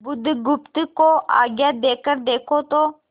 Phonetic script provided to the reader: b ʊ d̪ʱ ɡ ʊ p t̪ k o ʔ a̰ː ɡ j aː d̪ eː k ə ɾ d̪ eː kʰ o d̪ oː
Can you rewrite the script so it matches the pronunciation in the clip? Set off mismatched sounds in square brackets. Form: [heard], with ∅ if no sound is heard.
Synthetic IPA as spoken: b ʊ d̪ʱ ɡ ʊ p t̪ k o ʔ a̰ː ɡ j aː d̪ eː k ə ɾ d̪ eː kʰ o [t̪] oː